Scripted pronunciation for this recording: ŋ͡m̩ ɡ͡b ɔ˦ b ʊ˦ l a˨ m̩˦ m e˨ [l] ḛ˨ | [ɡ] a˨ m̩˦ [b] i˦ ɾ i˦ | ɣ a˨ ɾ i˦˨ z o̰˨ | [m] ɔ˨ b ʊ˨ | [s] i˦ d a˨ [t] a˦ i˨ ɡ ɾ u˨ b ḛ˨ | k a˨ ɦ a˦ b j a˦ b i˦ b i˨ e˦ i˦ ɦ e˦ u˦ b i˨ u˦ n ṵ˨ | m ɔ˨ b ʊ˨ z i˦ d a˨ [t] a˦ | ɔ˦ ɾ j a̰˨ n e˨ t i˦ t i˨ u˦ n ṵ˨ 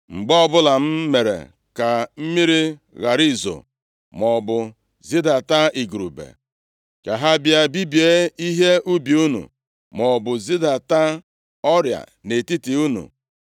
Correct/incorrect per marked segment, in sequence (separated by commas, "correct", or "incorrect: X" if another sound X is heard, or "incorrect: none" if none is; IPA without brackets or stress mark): incorrect: ɾ, incorrect: k, incorrect: m, correct, incorrect: z, correct, correct